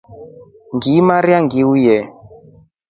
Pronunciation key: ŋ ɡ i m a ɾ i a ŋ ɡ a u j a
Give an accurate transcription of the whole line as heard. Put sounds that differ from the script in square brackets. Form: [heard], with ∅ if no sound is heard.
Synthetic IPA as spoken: ŋ ɡ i m a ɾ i a ŋ ɡ [i] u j [ɛ]